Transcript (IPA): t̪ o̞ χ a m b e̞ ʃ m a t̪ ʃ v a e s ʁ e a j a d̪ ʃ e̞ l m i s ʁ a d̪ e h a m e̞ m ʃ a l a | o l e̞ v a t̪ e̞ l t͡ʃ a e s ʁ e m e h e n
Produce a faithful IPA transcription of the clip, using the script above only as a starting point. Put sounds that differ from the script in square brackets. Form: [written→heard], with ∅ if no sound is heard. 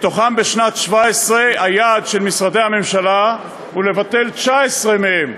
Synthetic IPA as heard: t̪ o̞ χ a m b e̞ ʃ [m→n] a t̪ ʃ v a e s ʁ e a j a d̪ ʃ e̞ l m i s ʁ a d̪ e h a m e̞ m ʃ a l a | [o→u] l e̞ v a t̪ e̞ l t͡ʃ a e s ʁ e m e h e [n→m]